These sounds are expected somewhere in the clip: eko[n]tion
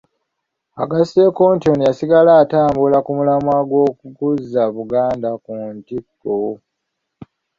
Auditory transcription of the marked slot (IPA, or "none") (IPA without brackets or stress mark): n